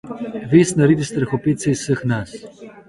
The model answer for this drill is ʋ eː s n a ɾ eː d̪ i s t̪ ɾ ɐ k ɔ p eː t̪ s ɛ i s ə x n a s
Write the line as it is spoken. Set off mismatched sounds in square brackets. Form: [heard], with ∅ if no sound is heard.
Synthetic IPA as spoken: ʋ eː s n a ɾ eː d̪ i s t̪ ɾ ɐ [x] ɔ p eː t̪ s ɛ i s ə x n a s